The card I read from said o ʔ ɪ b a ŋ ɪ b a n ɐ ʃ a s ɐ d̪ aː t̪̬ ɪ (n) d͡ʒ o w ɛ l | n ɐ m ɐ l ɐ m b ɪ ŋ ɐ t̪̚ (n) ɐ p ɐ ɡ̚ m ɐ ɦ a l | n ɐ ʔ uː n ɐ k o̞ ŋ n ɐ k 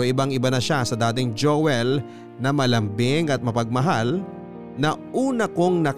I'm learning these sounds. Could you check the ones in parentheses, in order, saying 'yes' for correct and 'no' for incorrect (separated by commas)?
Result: no, no